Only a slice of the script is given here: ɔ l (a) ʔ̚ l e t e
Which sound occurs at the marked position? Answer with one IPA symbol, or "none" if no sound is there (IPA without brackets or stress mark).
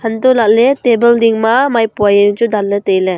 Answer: a